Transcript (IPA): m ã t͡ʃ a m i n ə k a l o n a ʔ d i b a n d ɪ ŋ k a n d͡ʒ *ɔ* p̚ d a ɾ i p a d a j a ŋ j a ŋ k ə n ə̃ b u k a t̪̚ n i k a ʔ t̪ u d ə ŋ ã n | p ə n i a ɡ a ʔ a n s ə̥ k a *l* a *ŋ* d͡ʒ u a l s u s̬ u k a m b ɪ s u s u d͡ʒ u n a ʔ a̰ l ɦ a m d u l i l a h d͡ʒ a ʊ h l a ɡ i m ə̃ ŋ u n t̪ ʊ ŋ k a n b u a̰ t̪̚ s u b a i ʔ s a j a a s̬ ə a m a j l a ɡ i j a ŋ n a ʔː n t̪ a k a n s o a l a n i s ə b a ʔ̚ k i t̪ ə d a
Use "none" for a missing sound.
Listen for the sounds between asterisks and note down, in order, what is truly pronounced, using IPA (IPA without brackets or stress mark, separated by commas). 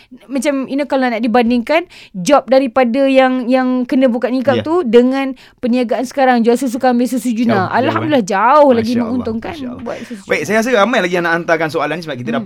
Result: ɔ, ɾ, ŋ